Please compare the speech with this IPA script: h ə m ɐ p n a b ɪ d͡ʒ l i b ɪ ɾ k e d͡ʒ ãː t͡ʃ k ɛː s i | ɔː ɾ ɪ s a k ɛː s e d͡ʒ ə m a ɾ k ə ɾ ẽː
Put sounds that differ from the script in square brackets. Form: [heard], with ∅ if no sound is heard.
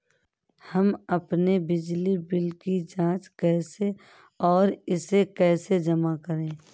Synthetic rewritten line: h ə m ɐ p n [e] b ɪ d͡ʒ l i b ɪ [l] k [i] d͡ʒ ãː t͡ʃ k ɛː s [e] | ɔː ɾ ɪ s [e] k ɛː s e d͡ʒ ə m a [∅] k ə ɾ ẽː